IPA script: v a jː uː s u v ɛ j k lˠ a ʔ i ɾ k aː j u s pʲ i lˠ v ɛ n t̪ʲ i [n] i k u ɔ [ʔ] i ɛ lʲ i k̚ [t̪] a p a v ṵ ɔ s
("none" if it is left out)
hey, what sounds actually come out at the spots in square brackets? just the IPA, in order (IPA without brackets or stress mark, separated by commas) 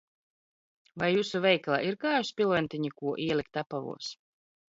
ɲ, ʔ, t̪